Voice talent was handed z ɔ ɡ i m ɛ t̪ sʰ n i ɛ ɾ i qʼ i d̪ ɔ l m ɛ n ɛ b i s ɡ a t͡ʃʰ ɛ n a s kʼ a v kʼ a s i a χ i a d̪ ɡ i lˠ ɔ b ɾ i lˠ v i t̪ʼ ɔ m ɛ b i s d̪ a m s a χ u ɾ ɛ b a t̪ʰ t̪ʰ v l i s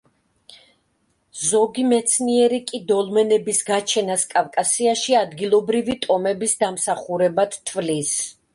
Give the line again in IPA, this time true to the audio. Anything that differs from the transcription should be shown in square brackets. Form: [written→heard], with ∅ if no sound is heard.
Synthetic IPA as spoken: z ɔ ɡ i m ɛ t̪ sʰ n i ɛ ɾ i [qʼ→kʼ] i d̪ ɔ l m ɛ n ɛ b i s ɡ a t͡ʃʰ ɛ n a s kʼ a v kʼ a s i a [χ→ʃ] i a d̪ ɡ i lˠ ɔ b ɾ i [lˠ→∅] v i t̪ʼ ɔ m ɛ b i s d̪ a m s a χ u ɾ ɛ b a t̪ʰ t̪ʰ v l i s